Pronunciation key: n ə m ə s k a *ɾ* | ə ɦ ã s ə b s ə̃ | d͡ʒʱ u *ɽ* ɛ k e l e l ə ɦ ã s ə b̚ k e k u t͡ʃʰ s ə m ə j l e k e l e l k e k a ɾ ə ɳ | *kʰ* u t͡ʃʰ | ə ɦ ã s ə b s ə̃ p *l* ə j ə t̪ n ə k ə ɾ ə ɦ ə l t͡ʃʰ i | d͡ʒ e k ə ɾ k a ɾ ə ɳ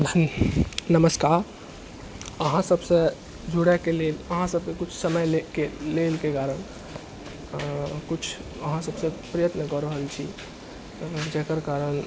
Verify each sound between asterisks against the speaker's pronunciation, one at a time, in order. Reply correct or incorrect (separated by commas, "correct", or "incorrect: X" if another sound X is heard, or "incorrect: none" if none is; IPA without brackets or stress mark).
correct, correct, incorrect: k, incorrect: ɾ